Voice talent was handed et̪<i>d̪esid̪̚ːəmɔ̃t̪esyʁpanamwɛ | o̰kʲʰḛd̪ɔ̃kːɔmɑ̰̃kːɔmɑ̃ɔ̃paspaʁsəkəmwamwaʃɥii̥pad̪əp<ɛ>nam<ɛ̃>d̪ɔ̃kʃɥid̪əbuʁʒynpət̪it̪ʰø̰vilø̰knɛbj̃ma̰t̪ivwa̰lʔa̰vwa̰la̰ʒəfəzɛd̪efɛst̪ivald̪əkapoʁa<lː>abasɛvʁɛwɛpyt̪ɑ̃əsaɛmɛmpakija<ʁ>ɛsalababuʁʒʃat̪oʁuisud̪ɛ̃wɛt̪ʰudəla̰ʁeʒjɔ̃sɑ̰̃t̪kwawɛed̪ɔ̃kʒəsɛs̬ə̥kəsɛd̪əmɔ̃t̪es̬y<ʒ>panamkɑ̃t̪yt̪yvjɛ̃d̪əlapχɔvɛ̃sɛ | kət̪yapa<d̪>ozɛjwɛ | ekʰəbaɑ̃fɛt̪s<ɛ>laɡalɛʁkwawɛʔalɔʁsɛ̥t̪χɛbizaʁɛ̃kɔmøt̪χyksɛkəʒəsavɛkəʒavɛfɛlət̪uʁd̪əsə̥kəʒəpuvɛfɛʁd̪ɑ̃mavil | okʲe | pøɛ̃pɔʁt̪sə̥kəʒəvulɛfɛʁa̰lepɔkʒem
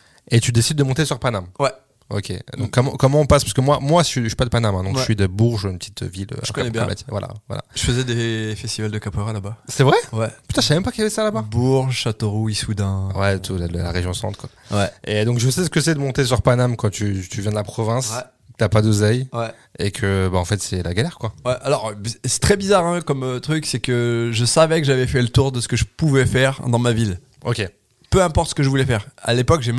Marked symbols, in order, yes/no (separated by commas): no, no, yes, no, no, no, yes, yes